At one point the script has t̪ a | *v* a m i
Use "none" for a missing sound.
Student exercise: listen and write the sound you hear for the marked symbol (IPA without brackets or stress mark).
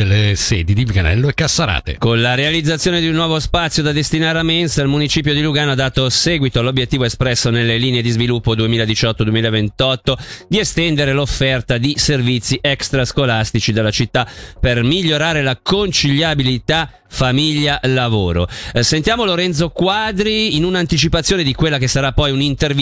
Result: f